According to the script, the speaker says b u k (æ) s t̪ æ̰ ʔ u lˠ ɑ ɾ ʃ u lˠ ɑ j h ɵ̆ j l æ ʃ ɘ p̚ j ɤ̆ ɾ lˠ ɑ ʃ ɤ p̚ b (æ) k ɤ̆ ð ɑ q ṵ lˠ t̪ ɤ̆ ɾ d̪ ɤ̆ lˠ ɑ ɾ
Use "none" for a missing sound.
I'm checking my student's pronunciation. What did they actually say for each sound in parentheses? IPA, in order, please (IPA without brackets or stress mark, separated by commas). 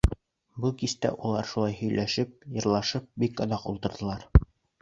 i, i